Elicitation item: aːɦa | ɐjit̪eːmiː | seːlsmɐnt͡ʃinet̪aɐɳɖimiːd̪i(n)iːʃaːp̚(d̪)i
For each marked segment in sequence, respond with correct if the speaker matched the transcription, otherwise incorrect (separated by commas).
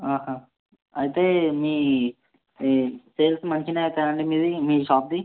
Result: incorrect, correct